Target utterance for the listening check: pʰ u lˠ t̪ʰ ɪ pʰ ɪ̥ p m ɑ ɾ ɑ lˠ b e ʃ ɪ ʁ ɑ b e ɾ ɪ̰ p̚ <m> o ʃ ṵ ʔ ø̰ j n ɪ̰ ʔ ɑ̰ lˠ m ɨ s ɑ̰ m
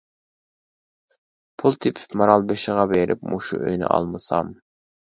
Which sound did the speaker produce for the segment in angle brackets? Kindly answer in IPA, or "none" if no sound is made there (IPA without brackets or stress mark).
m